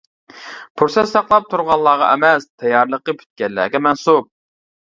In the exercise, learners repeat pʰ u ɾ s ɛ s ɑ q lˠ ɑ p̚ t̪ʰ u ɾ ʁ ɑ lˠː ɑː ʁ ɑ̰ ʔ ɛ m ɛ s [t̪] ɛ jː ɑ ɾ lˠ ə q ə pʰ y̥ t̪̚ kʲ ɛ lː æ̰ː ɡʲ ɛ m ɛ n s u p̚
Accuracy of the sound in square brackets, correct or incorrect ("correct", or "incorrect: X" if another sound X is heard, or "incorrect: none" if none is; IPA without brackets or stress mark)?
incorrect: t̪ʰ